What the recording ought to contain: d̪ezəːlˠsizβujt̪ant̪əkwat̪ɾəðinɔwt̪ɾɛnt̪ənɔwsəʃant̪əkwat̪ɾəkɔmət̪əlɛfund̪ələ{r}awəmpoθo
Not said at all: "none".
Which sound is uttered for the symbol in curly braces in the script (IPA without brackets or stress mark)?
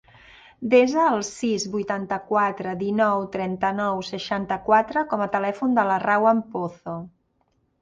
r